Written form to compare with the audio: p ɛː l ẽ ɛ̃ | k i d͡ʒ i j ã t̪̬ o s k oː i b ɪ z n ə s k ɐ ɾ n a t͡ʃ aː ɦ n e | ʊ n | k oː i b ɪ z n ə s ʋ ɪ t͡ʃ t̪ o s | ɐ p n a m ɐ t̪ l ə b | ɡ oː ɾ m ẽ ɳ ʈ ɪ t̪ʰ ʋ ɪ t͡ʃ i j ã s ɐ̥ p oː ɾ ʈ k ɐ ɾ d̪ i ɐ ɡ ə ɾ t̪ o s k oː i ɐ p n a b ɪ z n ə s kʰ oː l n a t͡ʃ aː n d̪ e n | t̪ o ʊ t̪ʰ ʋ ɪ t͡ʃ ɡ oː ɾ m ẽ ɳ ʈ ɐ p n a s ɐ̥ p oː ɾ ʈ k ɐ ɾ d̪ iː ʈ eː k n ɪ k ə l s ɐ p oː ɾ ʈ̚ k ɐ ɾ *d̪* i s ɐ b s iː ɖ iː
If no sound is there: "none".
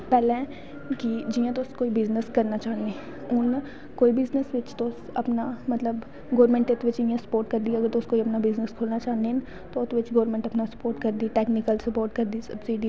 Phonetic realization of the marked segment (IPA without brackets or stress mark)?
d̪